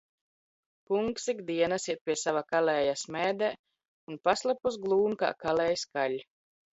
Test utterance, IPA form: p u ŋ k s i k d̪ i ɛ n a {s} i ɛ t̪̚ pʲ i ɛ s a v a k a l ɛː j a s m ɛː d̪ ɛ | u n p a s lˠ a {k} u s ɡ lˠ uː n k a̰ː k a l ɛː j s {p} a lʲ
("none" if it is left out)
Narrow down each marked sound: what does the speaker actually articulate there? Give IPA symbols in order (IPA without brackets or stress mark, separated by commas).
s, p, k